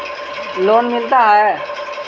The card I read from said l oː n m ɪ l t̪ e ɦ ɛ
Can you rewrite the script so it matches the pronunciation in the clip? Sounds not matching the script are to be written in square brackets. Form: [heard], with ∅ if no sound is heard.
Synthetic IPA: l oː n m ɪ l t̪ [a] ɦ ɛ